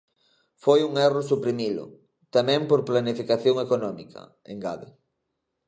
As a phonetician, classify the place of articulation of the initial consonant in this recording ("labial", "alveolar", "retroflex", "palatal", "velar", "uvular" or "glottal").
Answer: labial